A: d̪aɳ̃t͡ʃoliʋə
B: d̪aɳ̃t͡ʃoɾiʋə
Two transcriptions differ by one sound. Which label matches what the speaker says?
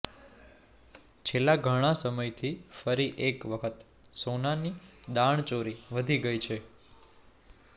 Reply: B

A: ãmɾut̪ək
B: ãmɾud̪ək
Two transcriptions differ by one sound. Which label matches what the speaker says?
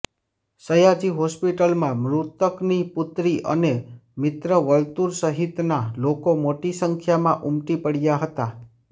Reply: A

